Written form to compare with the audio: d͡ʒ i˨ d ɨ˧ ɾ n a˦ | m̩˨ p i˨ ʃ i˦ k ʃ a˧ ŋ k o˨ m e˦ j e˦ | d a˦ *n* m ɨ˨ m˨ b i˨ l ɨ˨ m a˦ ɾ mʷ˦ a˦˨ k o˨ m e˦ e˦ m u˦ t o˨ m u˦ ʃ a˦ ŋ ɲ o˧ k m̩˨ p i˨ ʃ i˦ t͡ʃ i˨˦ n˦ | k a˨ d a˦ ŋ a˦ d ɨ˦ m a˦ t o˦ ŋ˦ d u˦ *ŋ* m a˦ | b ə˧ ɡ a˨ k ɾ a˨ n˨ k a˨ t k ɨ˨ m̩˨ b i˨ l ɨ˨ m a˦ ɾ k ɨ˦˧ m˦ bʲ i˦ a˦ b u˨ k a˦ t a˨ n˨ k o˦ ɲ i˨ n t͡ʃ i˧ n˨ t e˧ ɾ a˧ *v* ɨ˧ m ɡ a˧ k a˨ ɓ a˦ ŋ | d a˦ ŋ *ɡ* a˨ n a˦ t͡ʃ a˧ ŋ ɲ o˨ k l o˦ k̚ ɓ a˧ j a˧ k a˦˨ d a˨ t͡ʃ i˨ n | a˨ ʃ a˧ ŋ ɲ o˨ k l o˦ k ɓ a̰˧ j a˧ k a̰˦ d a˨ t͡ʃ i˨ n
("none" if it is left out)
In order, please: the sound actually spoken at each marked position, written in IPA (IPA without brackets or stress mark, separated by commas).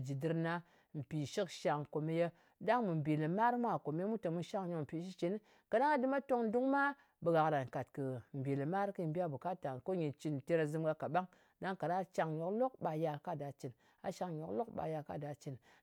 ŋ, ŋ, z, k